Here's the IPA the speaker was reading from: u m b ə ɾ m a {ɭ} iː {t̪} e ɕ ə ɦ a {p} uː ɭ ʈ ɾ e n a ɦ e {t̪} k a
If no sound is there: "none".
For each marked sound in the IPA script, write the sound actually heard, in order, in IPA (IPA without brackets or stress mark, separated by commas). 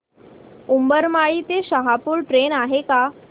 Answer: ɭ, t̪, p, none